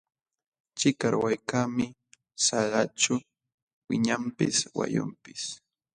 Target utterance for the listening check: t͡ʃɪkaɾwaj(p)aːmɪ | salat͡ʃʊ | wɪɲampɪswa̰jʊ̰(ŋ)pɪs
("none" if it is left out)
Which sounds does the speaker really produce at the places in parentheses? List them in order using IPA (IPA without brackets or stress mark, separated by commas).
k, m